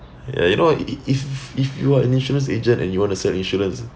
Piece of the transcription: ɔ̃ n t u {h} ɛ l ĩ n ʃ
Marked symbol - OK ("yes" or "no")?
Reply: no